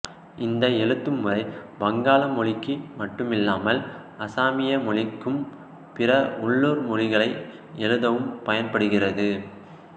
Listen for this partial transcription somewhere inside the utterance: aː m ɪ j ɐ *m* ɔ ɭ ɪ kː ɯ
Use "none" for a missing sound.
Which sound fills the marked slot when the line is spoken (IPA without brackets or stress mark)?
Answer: m